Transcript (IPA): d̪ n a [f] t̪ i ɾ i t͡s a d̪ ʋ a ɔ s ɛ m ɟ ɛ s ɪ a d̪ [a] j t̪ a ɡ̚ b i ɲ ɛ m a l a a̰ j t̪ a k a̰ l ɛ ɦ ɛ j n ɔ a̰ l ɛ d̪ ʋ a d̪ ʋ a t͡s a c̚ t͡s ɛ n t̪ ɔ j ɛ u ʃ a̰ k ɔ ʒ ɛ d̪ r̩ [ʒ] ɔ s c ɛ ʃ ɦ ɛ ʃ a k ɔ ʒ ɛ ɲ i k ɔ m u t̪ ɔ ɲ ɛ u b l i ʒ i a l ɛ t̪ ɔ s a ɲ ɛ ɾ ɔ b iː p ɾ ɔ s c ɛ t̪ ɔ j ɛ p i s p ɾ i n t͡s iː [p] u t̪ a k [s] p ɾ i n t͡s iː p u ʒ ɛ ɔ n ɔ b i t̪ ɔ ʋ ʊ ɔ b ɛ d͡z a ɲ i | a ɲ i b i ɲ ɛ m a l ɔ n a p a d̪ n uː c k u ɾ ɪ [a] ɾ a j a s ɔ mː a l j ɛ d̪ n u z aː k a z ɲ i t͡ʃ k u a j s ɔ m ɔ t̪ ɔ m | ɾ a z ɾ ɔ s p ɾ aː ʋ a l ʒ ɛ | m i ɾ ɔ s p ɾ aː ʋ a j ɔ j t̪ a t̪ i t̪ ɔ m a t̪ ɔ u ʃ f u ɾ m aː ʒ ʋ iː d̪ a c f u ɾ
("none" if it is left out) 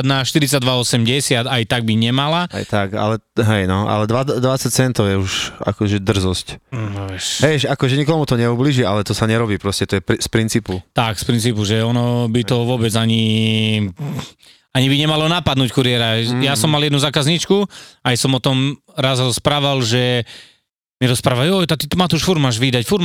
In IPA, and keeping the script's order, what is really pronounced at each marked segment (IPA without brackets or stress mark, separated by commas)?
ʃ, a, z, p, s, ɛ